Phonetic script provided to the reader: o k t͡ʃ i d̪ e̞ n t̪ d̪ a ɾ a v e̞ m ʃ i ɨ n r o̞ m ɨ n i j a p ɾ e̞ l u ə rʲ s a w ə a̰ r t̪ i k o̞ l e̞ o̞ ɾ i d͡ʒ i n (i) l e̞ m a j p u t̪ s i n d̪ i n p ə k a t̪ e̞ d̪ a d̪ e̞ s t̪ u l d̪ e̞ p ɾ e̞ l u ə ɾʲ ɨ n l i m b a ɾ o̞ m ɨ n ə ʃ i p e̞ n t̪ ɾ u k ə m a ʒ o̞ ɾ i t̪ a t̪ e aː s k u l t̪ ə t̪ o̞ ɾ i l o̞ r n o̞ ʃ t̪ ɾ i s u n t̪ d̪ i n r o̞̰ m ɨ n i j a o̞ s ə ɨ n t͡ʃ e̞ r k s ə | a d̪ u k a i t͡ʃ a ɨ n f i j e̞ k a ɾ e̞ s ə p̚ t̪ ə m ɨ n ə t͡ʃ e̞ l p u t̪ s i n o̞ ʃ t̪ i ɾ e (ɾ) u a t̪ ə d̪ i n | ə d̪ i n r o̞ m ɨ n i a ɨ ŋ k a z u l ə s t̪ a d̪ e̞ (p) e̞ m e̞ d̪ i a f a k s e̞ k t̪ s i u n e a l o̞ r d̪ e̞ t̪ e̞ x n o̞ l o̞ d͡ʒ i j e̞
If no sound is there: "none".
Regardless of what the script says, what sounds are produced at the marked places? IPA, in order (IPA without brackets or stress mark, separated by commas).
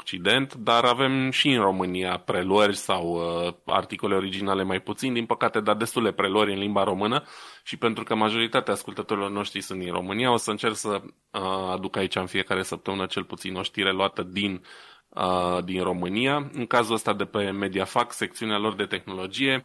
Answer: a, l, p